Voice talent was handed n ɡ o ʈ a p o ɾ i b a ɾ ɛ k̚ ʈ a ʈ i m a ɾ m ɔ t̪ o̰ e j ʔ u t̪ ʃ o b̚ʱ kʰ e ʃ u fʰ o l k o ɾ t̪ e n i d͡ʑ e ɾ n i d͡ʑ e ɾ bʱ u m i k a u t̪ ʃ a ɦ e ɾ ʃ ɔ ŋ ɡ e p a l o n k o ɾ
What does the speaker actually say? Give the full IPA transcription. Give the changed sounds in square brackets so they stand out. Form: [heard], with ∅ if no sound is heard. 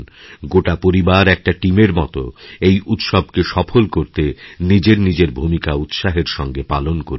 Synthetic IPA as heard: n ɡ o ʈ a p o ɾ i b a ɾ ɛ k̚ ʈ a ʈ i m [e] ɾ m ɔ t̪ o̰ e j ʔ u t̪ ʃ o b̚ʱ [k] e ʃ [ɔ] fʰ o l k o ɾ t̪ e n i d͡ʑ e ɾ n i d͡ʑ e ɾ bʱ u m i k a u t̪ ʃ a ɦ e ɾ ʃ ɔ ŋ ɡ e p a l o n k o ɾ